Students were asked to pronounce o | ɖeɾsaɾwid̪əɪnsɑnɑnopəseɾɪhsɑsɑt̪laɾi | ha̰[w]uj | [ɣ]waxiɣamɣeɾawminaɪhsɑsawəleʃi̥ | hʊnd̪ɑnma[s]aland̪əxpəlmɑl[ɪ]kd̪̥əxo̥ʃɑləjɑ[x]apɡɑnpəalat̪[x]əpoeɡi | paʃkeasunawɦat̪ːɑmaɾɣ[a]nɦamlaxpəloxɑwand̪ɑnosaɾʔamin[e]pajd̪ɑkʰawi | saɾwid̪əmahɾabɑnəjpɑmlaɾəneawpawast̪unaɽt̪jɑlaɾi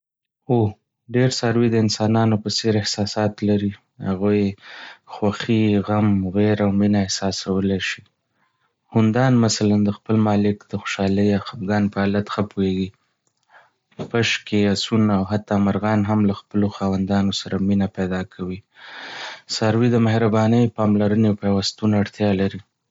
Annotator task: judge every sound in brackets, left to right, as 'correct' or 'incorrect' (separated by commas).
incorrect, incorrect, correct, correct, correct, correct, incorrect, incorrect